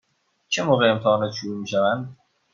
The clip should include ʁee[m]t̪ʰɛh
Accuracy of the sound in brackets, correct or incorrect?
correct